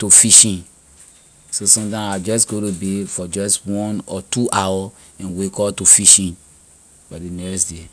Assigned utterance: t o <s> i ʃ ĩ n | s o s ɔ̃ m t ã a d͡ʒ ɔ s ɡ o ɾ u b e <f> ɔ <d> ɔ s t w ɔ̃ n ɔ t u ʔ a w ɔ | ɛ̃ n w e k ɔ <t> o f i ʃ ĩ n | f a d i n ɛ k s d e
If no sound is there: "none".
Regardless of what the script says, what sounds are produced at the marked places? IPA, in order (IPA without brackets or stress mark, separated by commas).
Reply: f, f, d͡ʒ, t